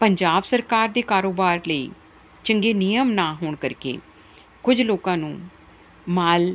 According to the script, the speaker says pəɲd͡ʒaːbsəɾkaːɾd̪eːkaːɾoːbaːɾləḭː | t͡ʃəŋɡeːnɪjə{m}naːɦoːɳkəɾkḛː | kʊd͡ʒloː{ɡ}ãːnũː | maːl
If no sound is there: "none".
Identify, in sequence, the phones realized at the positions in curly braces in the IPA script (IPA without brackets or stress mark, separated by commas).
m, k